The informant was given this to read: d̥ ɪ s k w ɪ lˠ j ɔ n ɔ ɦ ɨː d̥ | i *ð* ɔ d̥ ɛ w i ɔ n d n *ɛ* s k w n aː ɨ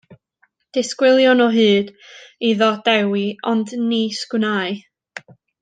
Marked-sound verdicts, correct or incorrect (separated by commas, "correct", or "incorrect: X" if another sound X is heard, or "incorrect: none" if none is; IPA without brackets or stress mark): correct, incorrect: i